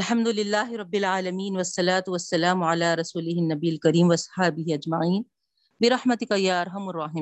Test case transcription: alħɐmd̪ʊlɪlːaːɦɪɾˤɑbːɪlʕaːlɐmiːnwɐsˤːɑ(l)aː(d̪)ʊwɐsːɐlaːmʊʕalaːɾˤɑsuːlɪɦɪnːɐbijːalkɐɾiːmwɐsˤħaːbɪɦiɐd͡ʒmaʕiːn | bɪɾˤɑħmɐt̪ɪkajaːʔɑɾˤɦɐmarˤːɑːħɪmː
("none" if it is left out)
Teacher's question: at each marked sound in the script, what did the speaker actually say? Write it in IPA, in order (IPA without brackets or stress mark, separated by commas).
l, t̪